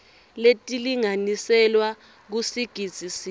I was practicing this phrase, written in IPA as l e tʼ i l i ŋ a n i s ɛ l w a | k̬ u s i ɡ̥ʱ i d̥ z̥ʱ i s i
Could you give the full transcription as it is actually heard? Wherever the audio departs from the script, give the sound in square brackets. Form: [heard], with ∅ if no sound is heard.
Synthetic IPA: l e tʼ i l i ŋ a n i s ɛ l w a | k̬ u s i ɡ̥ʱ i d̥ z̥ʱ i s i

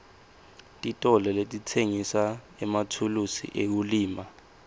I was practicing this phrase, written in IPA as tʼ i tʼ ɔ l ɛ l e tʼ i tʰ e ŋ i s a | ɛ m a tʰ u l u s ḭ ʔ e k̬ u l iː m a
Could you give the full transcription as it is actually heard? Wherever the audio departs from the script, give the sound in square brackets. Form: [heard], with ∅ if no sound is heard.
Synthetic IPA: tʼ i tʼ ɔ l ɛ l e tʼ i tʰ e ŋ i s a | ɛ m a tʰ u l u s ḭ ʔ e k̬ u l iː m a

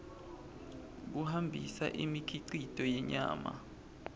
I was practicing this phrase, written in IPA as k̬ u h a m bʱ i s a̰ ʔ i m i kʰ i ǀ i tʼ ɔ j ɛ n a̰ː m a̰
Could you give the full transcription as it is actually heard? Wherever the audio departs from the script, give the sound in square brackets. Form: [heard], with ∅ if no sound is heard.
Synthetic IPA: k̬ u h a m bʱ i s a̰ ʔ i m i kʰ i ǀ i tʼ ɔ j ɛ [ɲ] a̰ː m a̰

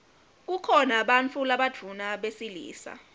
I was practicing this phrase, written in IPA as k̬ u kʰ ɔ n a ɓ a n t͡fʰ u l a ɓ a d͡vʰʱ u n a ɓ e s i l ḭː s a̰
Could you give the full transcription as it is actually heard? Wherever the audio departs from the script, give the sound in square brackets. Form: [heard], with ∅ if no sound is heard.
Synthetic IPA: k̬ u kʰ ɔ n a ɓ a n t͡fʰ u l a ɓ a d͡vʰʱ u n a ɓ e s i l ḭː s a̰

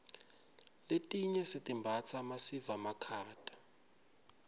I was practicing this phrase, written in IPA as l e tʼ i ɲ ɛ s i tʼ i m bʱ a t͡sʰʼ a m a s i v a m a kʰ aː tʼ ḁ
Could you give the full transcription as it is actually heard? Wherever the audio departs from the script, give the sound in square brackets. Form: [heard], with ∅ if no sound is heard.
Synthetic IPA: l e tʼ i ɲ ɛ s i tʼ i m bʱ a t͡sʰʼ a m a s i v a m a kʰ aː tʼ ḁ

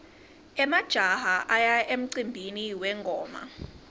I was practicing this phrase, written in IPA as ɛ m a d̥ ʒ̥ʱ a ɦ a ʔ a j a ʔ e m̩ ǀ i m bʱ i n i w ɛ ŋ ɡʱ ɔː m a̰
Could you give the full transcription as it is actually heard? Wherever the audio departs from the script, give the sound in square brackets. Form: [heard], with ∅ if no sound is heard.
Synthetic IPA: ɛ m a d̥ ʒ̥ʱ a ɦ a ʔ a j a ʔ e m̩ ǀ i m bʱ i n i w ɛ ŋ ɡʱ ɔː m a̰

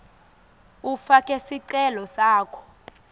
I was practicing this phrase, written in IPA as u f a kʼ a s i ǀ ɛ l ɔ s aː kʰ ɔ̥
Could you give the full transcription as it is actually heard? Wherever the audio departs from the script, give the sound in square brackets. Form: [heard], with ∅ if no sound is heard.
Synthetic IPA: u f a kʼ [ɛ] s i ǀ ɛ l ɔ s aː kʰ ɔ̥

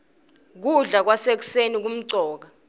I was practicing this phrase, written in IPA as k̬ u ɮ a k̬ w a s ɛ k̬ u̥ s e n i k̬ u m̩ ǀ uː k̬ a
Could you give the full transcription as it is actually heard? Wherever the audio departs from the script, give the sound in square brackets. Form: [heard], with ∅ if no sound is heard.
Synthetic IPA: k̬ u ɮ a k̬ w a s [e] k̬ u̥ s e n i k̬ u m̩ ǀ [ɔː] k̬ a

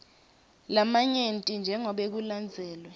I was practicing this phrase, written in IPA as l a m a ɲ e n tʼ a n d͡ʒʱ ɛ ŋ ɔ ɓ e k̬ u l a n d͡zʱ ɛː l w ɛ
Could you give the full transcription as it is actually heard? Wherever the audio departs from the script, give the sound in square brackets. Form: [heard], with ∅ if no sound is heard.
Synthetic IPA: l a m a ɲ e n tʼ [i] n d͡ʒʱ ɛ ŋ ɔ ɓ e k̬ u l a n d͡zʱ ɛː l w ɛ

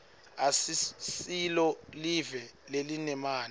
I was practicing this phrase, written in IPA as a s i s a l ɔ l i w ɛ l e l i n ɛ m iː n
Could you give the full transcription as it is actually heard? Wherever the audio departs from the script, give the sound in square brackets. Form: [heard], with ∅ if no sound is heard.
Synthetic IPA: a s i s [i] l ɔ l i [v] ɛ l e l i n ɛ m [aː] n

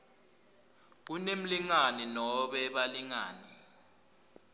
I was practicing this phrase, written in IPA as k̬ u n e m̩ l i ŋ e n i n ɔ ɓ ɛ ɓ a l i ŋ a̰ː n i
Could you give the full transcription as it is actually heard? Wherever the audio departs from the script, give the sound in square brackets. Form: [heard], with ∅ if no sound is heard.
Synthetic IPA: k̬ u n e m̩ l i ŋ [a] n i n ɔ ɓ ɛ ɓ a l i ŋ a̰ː n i

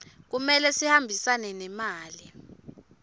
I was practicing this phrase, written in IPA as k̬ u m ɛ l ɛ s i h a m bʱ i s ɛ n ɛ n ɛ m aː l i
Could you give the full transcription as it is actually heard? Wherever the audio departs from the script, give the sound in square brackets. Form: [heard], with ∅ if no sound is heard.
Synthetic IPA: k̬ u m ɛ l ɛ s i h a m bʱ i s [a] n ɛ n ɛ m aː l i

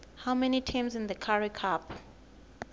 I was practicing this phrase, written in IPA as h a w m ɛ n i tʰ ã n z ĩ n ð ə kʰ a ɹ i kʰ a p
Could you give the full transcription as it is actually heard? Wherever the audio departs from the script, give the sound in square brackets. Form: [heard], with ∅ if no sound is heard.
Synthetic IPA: h a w m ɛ n i tʰ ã [m] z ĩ n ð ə kʰ a ɹ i kʰ a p

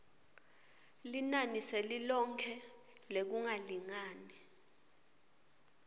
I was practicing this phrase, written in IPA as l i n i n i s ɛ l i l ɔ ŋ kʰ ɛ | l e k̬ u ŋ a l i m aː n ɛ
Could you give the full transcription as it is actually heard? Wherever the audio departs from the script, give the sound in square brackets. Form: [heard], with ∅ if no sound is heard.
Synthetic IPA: l i n [a] n i s ɛ l i l ɔ ŋ kʰ ɛ | l e k̬ u ŋ a l i [ŋ] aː n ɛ

